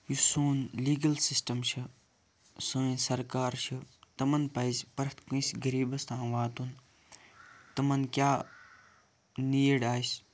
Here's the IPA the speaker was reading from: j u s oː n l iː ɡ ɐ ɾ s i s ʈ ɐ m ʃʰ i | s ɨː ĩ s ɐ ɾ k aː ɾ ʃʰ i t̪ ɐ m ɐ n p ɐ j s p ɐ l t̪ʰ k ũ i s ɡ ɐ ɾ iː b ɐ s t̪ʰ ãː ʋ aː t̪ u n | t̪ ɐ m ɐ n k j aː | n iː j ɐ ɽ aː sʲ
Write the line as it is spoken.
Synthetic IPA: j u s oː n l iː ɡ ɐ l s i s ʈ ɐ m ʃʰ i | s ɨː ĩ s ɐ ɾ k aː ɾ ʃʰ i t̪ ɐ m ɐ n p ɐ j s p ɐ ɾ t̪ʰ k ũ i s ɡ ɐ ɾ iː b ɐ s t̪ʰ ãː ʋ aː t̪ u n | t̪ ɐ m ɐ n k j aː | n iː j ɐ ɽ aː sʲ